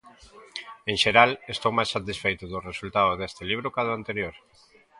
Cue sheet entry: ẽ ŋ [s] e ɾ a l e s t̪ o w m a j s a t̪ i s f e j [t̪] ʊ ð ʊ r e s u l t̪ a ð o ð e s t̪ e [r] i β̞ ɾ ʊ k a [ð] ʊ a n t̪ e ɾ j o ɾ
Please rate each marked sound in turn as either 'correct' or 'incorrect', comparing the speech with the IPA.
incorrect, correct, incorrect, correct

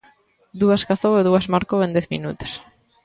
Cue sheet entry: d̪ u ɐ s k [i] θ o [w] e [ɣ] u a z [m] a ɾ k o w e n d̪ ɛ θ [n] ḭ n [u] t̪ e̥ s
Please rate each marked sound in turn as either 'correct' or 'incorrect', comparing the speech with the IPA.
incorrect, correct, incorrect, correct, incorrect, correct

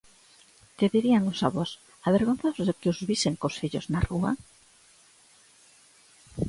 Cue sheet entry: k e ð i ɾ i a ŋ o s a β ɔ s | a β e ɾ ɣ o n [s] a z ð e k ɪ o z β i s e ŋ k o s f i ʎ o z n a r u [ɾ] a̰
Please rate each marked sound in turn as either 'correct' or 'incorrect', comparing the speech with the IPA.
incorrect, incorrect

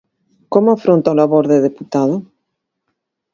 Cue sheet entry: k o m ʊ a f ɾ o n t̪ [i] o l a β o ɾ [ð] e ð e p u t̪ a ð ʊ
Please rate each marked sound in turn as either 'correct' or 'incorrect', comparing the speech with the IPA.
incorrect, correct

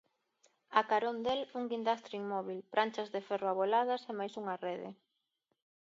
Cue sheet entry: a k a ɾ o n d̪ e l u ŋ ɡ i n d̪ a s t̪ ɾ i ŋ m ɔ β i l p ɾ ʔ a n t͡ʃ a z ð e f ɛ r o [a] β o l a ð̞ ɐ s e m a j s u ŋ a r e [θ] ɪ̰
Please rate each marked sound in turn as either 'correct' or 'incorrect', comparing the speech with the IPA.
correct, incorrect

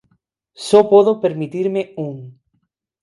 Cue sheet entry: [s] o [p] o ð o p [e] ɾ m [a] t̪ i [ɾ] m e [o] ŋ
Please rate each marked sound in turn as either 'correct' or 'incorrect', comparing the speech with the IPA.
correct, correct, correct, incorrect, correct, incorrect

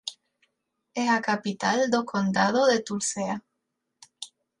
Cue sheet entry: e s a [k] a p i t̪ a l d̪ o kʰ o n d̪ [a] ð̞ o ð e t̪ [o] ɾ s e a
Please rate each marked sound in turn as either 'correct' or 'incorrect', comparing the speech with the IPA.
correct, correct, incorrect

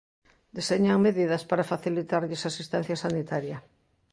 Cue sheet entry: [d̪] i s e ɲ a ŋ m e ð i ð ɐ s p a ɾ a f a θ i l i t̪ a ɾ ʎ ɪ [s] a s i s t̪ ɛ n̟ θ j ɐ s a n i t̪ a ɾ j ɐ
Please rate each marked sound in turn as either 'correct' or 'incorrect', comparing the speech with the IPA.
correct, correct

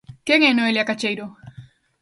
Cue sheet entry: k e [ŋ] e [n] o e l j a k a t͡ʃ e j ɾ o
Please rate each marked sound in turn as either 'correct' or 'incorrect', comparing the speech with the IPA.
correct, correct

